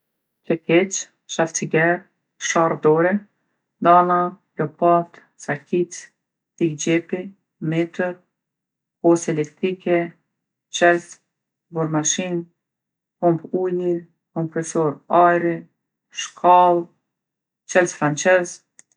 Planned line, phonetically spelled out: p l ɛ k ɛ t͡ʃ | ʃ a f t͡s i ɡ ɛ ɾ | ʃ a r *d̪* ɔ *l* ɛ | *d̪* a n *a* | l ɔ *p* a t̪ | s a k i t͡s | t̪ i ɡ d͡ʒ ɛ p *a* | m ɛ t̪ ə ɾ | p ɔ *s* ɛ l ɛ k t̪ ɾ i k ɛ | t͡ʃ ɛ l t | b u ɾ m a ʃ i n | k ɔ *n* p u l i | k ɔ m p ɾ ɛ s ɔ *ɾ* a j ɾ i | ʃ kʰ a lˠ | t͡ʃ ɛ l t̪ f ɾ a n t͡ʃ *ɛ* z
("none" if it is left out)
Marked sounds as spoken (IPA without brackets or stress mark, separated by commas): d̪, ɾ, d̪, a, p, i, s, m, ɾ, ɛ